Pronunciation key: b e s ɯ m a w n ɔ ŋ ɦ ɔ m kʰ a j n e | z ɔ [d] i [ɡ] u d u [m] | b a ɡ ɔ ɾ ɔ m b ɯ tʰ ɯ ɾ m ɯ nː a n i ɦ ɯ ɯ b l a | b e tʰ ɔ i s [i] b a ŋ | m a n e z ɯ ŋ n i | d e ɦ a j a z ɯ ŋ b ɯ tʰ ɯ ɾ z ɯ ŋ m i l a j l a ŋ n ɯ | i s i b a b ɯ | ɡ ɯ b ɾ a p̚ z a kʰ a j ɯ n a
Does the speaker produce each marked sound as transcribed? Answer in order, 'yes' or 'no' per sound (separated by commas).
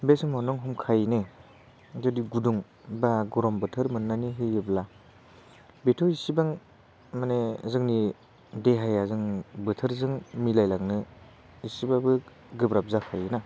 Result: yes, yes, no, yes